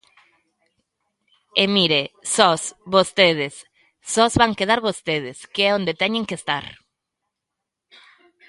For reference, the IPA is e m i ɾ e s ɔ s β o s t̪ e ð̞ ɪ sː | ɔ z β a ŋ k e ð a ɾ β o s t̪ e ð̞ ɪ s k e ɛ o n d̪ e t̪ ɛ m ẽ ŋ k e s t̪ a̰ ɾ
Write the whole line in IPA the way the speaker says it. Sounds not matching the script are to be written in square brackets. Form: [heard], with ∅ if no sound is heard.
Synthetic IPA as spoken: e m i ɾ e s ɔ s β o s t̪ e ð̞ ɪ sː | ɔ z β a ŋ k e ð a ɾ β o s t̪ e ð̞ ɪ s k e ɛ o n d̪ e t̪ ɛ [ɲ] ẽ ŋ k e s t̪ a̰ ɾ